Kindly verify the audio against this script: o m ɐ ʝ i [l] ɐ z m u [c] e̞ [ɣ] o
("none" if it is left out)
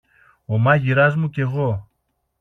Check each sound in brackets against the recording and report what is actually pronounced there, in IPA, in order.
ɾ, c, ɣ

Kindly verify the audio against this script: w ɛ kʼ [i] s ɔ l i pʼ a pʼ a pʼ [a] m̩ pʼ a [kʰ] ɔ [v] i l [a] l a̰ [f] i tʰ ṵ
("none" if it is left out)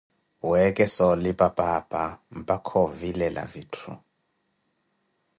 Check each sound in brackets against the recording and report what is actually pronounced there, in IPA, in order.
ɛ, a, kʰ, v, ɛ, v

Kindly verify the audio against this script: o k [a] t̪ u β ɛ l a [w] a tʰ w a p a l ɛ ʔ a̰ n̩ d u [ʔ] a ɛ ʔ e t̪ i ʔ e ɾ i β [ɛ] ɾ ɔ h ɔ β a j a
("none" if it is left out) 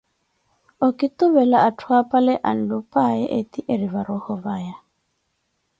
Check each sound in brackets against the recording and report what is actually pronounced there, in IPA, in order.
i, none, p, a

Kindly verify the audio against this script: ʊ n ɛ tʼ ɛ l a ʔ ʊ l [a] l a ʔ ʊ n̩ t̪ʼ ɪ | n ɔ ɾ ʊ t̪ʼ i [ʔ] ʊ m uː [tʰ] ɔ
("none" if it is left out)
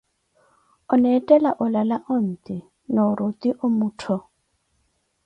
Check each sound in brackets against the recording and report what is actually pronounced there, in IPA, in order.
a, ʔ, tʰ

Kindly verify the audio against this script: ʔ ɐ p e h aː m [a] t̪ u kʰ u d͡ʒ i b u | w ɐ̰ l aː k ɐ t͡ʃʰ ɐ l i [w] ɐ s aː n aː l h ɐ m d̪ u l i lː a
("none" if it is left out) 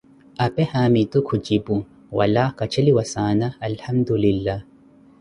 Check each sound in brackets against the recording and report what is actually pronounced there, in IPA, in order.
i, w

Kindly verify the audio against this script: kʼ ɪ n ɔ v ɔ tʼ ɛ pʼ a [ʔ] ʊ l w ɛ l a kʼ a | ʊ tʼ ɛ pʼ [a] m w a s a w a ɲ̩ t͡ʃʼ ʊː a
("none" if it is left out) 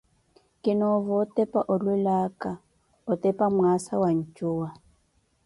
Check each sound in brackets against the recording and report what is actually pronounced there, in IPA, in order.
ʔ, a

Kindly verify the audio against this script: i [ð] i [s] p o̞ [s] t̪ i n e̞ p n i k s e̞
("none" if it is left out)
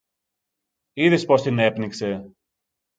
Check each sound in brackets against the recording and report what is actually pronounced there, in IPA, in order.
ð, s, s

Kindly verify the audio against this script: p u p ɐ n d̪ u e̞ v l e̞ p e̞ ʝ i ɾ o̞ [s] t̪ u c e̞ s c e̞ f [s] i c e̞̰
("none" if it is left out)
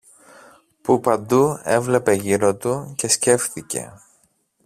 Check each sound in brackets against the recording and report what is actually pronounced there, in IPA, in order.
none, θ

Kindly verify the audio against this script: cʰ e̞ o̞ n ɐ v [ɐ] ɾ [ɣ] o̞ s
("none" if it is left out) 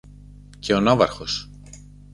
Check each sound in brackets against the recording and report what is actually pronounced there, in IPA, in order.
ɐ, x

